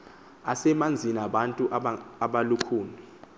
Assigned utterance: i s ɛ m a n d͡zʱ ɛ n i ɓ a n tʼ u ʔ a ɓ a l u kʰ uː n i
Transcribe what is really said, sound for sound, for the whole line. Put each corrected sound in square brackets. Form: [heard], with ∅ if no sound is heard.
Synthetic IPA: [a] s ɛ m a n d͡zʱ [i] n [a] ɓ a n tʼ u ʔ a ɓ a l u kʰ uː n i

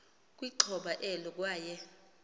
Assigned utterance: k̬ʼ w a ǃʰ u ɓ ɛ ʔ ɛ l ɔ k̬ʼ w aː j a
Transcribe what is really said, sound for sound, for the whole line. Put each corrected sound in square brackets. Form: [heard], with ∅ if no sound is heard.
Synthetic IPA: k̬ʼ w [i] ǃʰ [ɔ] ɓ [a] ʔ ɛ l ɔ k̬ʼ w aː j [ɛ]

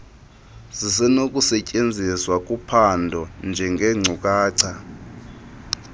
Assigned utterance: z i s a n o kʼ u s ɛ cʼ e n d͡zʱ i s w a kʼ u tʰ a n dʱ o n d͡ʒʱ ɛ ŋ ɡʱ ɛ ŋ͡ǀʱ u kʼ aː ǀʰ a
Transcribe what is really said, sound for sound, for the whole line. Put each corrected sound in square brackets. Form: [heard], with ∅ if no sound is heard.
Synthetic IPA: z i s [ɛ] n o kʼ u s ɛ cʼ e n d͡zʱ i s w a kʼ u [pʰ] a n dʱ [ɔ] n d͡ʒʱ ɛ ŋ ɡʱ ɛ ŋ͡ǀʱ u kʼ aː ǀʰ a

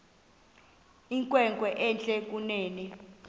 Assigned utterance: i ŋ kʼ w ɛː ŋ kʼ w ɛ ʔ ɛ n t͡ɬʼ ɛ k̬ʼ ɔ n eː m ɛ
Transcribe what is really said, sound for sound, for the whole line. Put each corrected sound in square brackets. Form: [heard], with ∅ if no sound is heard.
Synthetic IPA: i ŋ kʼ w [ɛ] ŋ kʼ w ɛ ʔ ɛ n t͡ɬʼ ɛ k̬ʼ [u] n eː [n] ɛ

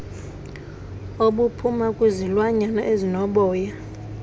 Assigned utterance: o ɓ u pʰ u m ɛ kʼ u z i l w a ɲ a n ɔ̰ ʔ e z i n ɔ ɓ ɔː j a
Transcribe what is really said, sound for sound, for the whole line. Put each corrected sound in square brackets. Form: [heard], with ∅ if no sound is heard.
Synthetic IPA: o ɓ u pʰ u m [a] kʼ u z i l w a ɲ a n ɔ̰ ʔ e z i n ɔ ɓ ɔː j a

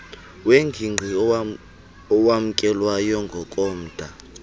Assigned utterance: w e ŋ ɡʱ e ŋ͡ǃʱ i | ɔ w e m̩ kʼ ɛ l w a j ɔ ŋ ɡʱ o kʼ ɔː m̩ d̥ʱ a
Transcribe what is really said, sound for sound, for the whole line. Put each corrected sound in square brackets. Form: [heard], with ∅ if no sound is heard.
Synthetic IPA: w e ŋ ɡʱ [i] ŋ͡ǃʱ i | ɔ w [a] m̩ kʼ ɛ l w a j ɔ ŋ ɡʱ [ɔ] kʼ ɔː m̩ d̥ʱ a

